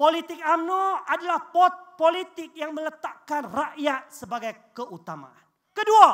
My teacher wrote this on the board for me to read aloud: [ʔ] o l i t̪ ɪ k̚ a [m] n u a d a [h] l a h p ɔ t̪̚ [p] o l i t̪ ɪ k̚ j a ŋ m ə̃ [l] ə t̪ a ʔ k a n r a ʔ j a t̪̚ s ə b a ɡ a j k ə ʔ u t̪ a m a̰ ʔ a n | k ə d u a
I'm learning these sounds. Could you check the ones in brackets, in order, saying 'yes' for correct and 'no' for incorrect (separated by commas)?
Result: no, yes, no, yes, yes